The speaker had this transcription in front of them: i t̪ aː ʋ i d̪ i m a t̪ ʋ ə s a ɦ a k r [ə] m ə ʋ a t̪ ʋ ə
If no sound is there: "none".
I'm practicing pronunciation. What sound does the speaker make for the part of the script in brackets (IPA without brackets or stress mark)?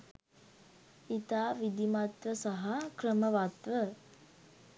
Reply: ə